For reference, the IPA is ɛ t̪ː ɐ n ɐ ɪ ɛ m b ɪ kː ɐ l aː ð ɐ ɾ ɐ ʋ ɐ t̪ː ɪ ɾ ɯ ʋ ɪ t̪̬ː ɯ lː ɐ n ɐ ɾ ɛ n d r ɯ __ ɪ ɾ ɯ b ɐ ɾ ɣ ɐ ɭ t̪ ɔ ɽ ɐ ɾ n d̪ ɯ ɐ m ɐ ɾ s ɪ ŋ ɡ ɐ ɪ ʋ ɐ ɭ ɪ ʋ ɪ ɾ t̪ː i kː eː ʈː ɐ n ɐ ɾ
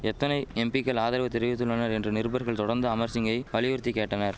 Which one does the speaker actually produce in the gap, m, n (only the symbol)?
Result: n